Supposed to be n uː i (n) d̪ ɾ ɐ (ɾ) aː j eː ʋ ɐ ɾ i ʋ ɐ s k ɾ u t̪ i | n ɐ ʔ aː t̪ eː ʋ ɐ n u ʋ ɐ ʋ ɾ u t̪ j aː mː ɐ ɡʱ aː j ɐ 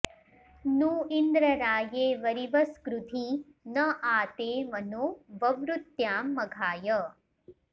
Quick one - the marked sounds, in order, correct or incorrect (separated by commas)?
correct, correct